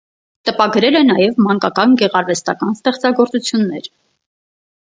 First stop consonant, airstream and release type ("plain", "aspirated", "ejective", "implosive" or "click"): plain